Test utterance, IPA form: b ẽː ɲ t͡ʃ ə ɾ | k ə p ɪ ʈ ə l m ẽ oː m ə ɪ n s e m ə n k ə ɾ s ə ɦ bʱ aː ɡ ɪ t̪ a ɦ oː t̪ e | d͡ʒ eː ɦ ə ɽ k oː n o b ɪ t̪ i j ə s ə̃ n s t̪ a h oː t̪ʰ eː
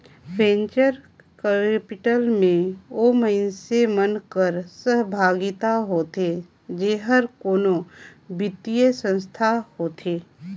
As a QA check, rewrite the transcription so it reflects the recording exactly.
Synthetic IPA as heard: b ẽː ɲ t͡ʃ ə ɾ | k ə p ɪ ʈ ə l m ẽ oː m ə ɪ n s e m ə n k ə ɾ s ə ɦ bʱ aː ɡ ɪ t̪ a ɦ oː t̪ e | d͡ʒ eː ɦ ə ɾ k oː n o b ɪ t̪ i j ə s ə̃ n s t̪ʰ a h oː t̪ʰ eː